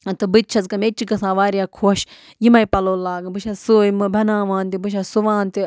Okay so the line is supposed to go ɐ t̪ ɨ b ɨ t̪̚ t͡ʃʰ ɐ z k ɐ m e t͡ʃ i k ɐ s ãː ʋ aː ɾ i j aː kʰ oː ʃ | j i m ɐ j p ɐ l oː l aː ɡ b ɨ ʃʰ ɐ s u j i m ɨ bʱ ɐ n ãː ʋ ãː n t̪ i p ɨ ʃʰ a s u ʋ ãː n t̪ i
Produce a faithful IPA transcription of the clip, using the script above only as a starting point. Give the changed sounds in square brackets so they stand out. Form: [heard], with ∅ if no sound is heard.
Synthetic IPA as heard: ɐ t̪ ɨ b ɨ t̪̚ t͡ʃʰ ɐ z k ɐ m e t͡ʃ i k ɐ s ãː ʋ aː ɾ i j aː kʰ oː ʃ | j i m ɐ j p ɐ l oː l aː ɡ b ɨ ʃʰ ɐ s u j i m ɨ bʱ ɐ n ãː ʋ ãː n t̪ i [b] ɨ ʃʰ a s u ʋ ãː n t̪ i